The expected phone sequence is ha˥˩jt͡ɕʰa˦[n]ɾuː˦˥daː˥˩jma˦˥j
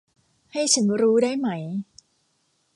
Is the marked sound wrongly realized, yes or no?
no